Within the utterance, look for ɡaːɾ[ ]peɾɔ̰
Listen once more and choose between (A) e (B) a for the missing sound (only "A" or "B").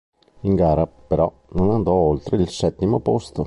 B